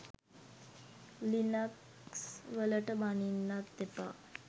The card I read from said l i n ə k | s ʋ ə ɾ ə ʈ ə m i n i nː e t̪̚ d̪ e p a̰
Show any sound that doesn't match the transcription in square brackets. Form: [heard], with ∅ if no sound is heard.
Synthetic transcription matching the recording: l i n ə k | s ʋ ə [l] ə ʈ ə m [a] n i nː [a] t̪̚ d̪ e p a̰